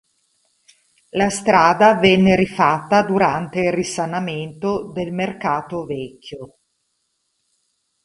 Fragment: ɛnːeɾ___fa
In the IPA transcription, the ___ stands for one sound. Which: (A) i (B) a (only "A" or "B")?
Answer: A